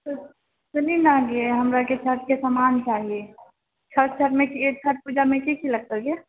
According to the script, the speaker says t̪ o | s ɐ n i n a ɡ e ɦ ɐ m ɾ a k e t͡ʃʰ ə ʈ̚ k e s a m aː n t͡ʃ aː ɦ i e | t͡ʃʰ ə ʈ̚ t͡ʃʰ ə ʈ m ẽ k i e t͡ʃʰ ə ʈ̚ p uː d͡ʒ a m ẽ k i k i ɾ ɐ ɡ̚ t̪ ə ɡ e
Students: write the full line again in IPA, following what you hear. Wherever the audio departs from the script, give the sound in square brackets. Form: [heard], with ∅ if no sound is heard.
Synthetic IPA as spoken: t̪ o | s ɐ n i n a ɡ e ɦ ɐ m ɾ a k e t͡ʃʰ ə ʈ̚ k e s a m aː n t͡ʃ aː ɦ i e | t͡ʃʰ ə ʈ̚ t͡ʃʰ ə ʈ m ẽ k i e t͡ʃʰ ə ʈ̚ p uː d͡ʒ a m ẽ k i k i [l] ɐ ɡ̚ t̪ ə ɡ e